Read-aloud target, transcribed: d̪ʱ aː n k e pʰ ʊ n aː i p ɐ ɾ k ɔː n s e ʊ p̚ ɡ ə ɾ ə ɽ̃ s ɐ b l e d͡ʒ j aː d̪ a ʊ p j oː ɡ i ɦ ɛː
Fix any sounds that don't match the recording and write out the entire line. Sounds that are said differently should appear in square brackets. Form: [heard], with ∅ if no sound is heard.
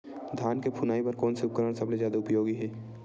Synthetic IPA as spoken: d̪ʱ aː n k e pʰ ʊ n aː i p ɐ ɾ k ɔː n s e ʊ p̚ [k] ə ɾ ə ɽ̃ s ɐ b l e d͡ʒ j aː d̪ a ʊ p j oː ɡ i ɦ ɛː